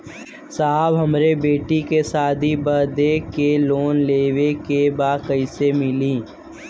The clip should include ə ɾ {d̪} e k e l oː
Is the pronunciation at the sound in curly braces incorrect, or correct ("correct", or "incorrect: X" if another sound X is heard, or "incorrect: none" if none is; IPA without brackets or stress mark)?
correct